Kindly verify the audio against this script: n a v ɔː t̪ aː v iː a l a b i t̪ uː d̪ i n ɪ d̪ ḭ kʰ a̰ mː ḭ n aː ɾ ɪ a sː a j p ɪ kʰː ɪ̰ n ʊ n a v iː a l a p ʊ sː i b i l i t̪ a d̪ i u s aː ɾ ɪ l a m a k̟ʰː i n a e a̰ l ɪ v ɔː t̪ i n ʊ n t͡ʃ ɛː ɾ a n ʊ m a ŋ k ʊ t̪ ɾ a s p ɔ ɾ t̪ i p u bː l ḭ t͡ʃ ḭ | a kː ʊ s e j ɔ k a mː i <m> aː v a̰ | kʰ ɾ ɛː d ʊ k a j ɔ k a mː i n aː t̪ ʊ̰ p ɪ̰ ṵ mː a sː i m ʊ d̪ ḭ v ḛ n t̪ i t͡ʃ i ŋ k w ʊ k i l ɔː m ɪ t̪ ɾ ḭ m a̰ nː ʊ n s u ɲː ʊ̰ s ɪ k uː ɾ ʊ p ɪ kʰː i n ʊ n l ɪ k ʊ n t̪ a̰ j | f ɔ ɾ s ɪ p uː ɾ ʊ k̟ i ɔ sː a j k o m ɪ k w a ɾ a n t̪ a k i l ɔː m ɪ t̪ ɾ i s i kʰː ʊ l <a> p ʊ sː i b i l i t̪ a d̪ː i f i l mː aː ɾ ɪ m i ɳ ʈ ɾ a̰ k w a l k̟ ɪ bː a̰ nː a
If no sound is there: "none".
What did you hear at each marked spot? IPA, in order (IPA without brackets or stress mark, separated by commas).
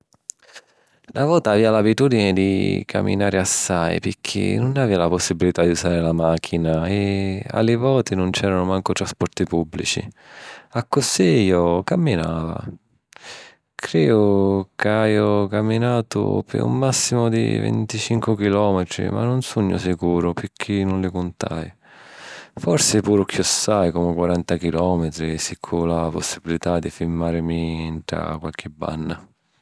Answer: n, a